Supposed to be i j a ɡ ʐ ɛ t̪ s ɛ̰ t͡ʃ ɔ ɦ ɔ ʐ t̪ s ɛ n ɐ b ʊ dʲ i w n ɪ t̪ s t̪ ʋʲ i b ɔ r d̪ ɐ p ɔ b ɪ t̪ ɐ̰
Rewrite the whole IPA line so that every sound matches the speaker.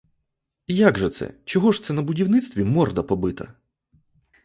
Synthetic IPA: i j a ɡ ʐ ɛ t̪ s ɛ̰ t͡ʃ ɔ ɦ ɔ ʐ t̪ s ɛ n ɐ b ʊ dʲ i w n ɪ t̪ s t̪ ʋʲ i m ɔ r d̪ ɐ p ɔ b ɪ t̪ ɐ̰